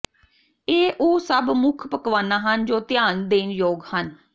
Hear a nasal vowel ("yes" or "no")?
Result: no